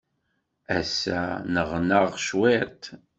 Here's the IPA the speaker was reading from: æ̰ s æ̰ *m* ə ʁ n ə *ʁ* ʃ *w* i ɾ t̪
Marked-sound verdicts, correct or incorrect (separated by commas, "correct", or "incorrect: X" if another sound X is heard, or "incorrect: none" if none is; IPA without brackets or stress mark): incorrect: n, correct, correct